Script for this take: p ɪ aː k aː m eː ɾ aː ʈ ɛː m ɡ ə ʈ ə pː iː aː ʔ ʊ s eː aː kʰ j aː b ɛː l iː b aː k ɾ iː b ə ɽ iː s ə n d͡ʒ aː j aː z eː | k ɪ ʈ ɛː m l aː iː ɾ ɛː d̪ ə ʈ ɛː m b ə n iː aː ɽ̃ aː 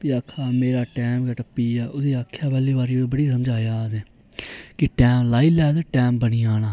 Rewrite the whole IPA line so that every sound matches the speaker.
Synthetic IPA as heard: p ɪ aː kʰ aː m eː ɾ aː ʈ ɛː m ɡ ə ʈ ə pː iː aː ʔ ʊ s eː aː kʰ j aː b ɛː l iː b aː ɾ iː b ə ɽ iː s ə m d͡ʒ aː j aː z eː | k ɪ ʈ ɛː m l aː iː l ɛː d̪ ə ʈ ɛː m b ə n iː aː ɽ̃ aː